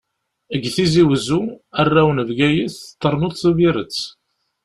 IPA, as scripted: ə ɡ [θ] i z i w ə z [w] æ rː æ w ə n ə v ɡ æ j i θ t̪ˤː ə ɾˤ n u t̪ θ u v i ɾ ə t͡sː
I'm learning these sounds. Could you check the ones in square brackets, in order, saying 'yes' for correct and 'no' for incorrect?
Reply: yes, no

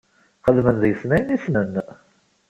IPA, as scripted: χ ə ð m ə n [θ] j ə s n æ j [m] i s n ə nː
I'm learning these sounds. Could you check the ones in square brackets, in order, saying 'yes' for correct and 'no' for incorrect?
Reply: no, no

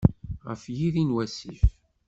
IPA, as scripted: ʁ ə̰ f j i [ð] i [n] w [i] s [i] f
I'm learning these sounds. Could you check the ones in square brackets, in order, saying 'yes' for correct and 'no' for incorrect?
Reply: yes, yes, no, yes

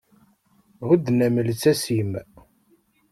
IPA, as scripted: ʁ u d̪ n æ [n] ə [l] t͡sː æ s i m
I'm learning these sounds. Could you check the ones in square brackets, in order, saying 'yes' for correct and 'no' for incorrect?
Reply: no, yes

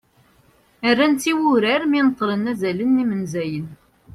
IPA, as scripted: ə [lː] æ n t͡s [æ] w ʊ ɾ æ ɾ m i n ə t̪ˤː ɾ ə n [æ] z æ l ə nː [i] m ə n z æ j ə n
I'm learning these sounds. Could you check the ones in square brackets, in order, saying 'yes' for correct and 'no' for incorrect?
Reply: no, no, yes, yes

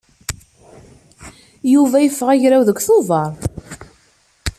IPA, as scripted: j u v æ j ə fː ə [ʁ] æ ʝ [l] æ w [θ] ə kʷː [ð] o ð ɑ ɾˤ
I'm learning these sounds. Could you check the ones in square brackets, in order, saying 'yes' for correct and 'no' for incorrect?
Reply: yes, no, no, no

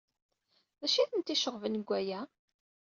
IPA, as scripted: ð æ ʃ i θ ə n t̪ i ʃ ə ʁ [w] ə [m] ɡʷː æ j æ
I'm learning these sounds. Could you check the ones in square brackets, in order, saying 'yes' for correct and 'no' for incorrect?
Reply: no, no

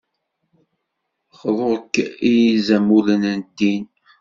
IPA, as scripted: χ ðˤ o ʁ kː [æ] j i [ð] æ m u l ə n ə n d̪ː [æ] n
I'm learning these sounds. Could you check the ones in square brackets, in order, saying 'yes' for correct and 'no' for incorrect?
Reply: no, no, no

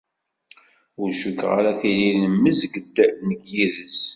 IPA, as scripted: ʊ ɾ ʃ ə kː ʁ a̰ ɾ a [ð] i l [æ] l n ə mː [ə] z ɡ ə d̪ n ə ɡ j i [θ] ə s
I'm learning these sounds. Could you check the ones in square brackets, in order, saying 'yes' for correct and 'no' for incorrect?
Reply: no, no, yes, no

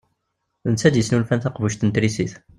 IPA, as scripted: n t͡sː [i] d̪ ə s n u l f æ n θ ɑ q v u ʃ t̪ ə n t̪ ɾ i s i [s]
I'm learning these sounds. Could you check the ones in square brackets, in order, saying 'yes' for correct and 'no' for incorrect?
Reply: no, no

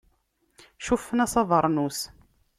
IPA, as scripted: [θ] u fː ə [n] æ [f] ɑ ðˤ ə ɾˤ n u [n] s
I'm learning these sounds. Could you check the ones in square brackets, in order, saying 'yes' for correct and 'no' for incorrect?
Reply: no, yes, no, no

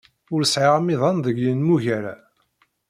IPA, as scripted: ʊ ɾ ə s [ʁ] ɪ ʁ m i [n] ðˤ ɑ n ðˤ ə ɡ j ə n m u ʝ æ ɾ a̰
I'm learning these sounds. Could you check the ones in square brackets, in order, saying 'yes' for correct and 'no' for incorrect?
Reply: no, no

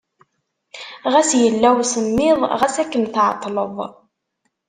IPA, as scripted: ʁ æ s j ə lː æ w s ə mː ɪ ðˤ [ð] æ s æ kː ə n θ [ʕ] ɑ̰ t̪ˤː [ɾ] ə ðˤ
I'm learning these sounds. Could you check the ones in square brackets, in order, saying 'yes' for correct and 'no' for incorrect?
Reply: no, yes, no

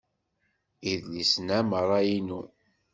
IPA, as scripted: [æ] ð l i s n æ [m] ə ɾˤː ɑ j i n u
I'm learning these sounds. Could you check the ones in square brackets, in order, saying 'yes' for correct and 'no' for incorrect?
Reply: no, yes

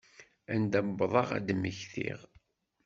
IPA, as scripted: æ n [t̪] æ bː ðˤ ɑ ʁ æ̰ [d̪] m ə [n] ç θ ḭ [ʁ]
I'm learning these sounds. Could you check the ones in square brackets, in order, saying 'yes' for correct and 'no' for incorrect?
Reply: no, yes, no, yes

